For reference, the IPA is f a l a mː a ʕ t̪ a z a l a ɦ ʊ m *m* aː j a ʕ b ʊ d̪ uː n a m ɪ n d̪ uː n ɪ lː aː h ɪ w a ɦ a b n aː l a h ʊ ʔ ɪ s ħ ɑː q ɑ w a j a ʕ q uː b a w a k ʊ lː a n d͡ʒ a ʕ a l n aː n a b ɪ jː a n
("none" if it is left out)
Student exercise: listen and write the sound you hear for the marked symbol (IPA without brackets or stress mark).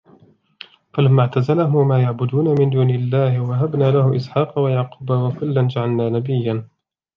m